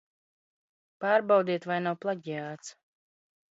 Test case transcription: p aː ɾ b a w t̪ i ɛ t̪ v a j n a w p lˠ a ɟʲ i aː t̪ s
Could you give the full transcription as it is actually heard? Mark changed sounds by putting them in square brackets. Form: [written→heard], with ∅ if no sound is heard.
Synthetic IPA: p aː ɾ b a w [t̪→d̪] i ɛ t̪ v a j n a w p lˠ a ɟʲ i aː t̪ s

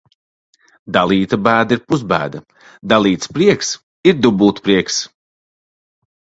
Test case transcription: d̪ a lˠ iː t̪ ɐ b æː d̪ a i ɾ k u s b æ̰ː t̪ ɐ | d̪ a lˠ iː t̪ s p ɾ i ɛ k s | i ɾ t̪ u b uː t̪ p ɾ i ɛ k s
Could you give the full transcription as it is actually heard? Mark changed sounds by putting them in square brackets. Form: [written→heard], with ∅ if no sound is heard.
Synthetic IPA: d̪ a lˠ iː t̪ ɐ b æː d̪ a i ɾ [k→p] u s b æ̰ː [t̪→d̪] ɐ | d̪ a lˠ iː t̪ s p ɾ i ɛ k s | i ɾ [t̪→d̪] u b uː t̪ p ɾ i ɛ k s

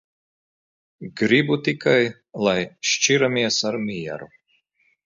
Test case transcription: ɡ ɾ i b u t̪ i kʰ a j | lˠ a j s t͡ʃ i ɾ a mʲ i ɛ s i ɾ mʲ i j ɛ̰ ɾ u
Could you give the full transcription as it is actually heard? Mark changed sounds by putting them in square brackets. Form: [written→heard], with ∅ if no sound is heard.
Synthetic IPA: ɡ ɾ i b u t̪ i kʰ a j | lˠ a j [s→ʃ] t͡ʃ i ɾ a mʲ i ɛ s [i→a] ɾ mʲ i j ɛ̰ ɾ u

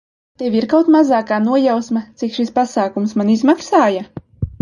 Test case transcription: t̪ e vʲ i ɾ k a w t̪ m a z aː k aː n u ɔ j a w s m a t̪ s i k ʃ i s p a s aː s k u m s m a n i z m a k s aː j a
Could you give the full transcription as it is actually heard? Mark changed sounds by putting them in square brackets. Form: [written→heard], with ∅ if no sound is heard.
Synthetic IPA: t̪ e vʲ i ɾ k a w t̪ m a z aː k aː n u ɔ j a w s m a t̪ s i k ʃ i s p a s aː [s→∅] k u m s m a n i z m a k s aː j a

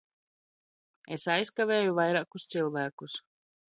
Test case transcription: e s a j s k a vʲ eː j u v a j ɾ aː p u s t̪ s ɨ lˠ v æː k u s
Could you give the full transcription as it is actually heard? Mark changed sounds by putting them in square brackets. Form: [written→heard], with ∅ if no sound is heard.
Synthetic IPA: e s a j s k a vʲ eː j u v a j ɾ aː [p→k] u s t̪ s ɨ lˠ v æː k u s

